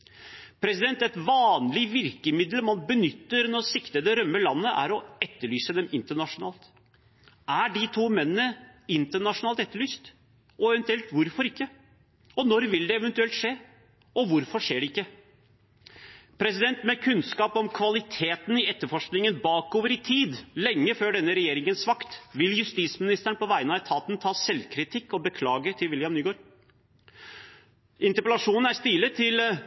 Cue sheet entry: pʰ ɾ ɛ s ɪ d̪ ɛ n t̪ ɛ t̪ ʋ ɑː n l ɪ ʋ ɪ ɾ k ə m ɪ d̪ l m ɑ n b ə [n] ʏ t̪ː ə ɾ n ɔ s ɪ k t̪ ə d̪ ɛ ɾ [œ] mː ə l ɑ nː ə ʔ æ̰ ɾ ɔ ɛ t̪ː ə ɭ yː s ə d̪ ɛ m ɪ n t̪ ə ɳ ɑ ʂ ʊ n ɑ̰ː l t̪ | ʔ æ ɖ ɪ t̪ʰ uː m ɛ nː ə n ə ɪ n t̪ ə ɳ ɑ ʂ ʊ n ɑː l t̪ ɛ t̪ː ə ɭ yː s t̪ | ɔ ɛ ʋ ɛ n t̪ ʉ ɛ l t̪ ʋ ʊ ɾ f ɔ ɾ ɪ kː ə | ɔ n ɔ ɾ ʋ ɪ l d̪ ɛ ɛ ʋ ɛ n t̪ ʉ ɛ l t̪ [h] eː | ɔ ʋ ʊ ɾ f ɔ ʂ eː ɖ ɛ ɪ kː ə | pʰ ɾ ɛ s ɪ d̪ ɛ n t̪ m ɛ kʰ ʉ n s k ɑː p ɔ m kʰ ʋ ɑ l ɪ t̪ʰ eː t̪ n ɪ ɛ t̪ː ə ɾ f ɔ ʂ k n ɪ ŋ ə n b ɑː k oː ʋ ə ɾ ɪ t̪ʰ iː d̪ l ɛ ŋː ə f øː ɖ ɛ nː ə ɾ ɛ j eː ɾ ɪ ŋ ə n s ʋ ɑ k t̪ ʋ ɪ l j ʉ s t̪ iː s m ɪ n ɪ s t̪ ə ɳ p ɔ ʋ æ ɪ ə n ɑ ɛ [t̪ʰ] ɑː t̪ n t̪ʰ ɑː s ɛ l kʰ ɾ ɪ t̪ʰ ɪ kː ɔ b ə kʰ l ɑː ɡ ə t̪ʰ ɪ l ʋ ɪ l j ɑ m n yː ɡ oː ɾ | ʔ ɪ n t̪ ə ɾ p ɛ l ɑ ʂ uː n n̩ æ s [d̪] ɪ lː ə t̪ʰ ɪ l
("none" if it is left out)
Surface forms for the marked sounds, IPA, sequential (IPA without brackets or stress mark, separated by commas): n, œ, ʂ, t̪ʰ, t̪